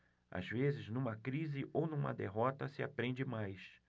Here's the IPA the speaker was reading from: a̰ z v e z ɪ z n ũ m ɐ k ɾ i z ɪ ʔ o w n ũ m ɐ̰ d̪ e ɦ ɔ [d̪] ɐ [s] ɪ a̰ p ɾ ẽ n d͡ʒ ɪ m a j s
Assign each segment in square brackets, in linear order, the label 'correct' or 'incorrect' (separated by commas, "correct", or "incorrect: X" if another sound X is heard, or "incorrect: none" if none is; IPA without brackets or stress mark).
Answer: incorrect: t̪, correct